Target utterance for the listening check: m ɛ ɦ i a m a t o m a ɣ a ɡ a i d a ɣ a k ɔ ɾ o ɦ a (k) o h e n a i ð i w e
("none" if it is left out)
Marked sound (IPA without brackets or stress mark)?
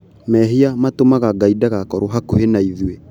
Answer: k